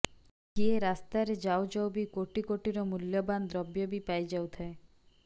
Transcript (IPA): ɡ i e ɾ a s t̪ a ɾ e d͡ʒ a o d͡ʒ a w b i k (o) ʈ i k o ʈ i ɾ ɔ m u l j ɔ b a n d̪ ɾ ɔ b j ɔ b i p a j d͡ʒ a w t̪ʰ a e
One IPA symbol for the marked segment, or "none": o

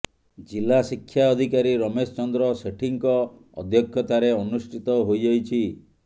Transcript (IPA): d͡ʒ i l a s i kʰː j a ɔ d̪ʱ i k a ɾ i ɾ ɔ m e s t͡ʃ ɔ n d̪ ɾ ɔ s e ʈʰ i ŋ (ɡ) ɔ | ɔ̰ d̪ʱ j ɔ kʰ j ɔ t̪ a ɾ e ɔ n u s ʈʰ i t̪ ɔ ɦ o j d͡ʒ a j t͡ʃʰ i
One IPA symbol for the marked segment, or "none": k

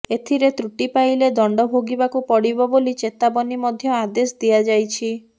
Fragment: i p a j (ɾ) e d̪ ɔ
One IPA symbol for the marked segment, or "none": l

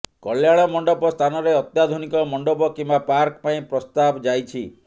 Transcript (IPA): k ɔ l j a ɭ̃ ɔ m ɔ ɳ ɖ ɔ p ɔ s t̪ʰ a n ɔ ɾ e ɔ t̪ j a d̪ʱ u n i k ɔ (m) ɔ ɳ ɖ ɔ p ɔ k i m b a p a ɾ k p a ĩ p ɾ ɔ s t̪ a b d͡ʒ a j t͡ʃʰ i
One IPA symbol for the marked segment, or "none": m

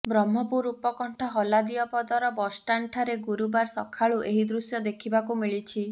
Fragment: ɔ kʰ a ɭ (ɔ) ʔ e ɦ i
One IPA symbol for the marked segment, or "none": u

